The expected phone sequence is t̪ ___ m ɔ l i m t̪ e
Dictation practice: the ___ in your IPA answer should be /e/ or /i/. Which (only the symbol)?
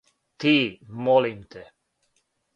i